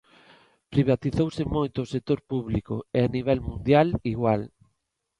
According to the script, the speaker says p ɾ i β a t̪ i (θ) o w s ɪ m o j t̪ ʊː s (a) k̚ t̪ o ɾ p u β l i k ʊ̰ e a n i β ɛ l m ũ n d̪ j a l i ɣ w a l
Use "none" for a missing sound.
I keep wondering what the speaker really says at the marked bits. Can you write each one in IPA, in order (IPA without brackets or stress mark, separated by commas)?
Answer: θ, e